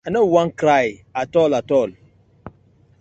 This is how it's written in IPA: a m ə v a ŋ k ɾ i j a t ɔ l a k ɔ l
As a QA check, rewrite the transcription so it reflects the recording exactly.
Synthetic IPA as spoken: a n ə w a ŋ k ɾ a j a t ɔ l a t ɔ l

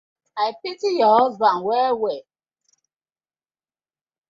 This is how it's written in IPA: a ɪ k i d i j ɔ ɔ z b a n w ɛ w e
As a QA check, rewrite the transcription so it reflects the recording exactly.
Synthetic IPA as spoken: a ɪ p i t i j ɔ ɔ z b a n w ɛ w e

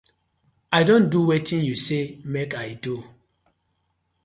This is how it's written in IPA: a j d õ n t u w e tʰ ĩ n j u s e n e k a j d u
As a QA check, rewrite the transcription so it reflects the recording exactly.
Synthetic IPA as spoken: a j d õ n d u w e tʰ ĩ n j u s e m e k a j d u

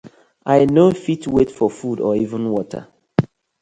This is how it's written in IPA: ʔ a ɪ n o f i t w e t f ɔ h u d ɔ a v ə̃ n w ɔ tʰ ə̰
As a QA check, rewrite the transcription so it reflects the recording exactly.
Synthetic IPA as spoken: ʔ a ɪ n o f i t w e t f ɔ f u d ɔ i v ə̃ n w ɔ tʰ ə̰

